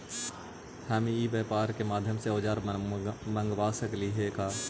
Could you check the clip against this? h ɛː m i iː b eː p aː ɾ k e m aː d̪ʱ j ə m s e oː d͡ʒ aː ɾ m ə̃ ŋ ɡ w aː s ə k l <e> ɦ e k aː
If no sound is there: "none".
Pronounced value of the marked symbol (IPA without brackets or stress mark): i